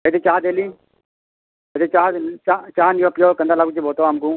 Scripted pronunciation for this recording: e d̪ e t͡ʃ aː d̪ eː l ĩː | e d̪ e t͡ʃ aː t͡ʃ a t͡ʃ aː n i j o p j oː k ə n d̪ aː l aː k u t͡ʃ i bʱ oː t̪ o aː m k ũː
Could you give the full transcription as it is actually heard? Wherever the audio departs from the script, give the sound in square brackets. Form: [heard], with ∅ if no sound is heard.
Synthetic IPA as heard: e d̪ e t͡ʃ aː d̪ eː l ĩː | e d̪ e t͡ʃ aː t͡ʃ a t͡ʃ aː n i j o p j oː k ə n d̪ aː l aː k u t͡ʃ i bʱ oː t̪ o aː m k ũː

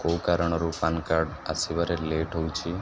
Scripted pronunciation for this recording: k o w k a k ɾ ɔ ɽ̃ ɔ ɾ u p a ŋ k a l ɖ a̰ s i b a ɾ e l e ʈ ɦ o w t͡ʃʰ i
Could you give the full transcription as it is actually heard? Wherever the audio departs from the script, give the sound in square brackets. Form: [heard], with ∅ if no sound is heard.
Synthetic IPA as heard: k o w k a [∅] ɾ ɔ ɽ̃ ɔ ɾ u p a [n] k a [ɾ] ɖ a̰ s i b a ɾ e l e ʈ ɦ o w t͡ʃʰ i

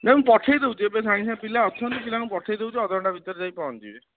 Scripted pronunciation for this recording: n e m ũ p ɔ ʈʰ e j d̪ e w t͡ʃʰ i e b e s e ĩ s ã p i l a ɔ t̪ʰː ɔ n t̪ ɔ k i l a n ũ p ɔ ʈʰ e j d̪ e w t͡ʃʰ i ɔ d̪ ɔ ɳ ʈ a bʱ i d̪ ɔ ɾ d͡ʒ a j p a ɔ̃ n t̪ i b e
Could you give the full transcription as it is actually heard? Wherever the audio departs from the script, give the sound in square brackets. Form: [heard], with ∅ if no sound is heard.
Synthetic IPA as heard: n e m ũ p ɔ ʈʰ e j d̪ e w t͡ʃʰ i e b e s [a] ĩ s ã p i l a ɔ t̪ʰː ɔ n t̪ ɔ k i l a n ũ p ɔ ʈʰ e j d̪ e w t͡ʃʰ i ɔ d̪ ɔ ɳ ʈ a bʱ i [t̪] ɔ ɾ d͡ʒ a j p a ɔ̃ n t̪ i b e

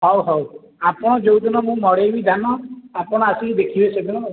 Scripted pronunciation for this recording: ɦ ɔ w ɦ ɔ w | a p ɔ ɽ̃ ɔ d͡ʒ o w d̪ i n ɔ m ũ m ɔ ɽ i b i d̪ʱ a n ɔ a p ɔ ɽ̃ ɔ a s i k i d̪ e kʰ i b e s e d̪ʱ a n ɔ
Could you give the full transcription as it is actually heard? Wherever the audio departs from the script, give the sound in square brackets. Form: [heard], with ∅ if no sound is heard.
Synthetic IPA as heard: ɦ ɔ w ɦ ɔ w | a p ɔ ɽ̃ ɔ d͡ʒ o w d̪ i n ɔ m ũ m ɔ ɽ [e] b i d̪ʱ a n ɔ a p ɔ ɽ̃ ɔ a s i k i d̪ e kʰ i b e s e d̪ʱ [i] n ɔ

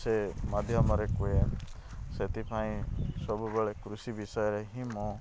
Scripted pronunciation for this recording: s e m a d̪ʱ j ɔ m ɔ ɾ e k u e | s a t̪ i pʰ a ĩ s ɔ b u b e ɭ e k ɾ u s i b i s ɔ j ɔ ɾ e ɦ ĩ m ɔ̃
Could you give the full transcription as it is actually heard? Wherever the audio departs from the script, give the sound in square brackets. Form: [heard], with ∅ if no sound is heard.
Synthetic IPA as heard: s e m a d̪ʱ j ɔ m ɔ ɾ e k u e | s [e] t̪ i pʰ a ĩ s ɔ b u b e ɭ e k ɾ u s i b i s ɔ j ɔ ɾ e ɦ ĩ m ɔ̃

